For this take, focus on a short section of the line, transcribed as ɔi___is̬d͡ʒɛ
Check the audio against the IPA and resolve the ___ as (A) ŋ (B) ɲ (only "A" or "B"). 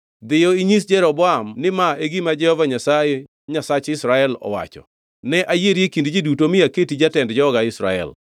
B